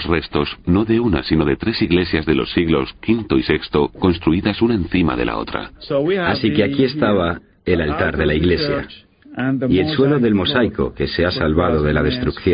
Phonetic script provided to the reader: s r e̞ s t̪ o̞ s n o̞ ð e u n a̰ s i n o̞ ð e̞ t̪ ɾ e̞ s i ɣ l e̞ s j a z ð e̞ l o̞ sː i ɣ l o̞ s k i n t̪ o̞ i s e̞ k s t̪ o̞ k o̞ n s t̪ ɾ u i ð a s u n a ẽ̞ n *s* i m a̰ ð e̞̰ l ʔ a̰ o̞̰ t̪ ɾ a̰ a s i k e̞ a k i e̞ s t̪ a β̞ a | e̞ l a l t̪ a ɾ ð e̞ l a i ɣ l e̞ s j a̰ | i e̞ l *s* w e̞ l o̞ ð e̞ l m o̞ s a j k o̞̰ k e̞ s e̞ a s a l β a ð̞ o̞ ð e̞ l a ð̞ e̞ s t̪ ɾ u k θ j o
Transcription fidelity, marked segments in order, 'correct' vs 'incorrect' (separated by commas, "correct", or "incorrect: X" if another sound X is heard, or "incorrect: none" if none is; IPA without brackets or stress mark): incorrect: θ, correct